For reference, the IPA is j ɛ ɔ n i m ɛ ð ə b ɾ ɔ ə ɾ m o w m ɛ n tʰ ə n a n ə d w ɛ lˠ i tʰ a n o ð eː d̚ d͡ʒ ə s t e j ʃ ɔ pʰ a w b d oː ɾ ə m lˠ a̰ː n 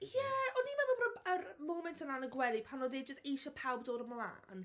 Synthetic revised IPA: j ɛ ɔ n i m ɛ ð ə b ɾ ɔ ə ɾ m o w m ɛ n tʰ ə n a n ə ɡ w ɛ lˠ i pʰ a n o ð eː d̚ d͡ʒ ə s t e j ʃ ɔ pʰ a w b d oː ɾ ə m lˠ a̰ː n